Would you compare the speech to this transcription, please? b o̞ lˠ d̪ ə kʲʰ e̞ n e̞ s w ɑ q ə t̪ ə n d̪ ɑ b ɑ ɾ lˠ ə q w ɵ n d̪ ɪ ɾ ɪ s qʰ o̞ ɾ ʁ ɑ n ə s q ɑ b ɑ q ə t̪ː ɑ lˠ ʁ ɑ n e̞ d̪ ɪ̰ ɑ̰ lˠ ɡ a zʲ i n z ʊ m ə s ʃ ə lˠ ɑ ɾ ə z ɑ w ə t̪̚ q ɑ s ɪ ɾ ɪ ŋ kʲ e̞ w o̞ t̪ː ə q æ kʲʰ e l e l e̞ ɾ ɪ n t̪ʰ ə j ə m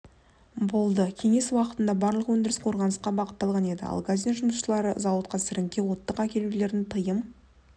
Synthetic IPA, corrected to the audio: b o̞ lˠ d̪ ə kʲʰ e̞ ŋ e̞ s w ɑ q ə t̪ ə n d̪ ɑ b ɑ ɾ lˠ ə q w ɵ n d̪ ɪ ɾ ɪ s qʰ o̞ ɾ ʁ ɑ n ə s q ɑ b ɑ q ə t̪ː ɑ lˠ ʁ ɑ n e̞ d̪ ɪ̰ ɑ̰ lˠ ɡ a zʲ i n ʒ ʊ m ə s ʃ ə lˠ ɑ ɾ ə z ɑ w ə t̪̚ q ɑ s ɪ ɾ ɪ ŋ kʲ e̞ w o̞ t̪ː ə q æ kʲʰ e l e l e̞ ɾ ɪ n t̪ʰ ə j ə m